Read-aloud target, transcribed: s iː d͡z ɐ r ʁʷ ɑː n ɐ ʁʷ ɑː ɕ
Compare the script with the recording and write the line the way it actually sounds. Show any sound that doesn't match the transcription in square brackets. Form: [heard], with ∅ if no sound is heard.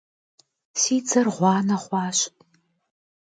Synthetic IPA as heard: s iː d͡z ɐ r ʁʷ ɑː n ɐ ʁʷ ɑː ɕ